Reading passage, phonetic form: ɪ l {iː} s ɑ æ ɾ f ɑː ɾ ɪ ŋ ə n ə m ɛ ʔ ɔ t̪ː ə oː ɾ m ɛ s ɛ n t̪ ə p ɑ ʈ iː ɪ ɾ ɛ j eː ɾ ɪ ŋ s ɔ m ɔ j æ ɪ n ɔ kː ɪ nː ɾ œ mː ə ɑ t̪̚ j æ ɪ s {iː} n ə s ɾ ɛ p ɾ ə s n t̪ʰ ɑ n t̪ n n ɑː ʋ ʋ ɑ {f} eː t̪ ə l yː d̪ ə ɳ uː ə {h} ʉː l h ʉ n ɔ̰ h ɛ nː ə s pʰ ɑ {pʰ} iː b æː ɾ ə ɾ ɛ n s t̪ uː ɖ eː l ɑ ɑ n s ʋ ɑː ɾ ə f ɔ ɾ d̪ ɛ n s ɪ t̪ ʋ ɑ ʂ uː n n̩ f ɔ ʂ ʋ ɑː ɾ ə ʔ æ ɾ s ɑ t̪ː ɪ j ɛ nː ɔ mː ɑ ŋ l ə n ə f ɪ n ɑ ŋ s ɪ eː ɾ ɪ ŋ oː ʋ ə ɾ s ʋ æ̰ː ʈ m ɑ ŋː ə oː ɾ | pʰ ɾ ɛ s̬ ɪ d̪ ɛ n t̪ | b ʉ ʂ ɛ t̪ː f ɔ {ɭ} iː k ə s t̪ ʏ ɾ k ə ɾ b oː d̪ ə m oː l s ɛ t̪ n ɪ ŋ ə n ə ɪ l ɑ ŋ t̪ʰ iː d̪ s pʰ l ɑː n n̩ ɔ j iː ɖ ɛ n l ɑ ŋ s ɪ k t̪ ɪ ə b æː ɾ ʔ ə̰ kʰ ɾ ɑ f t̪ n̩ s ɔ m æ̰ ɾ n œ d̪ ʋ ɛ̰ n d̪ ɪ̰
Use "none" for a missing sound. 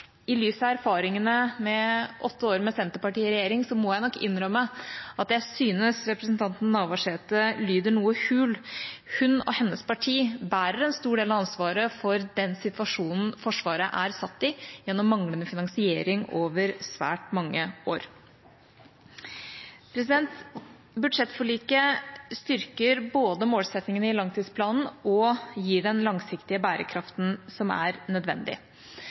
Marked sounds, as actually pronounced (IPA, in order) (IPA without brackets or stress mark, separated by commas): yː, yː, ʂ, h, ʈʰ, ɭ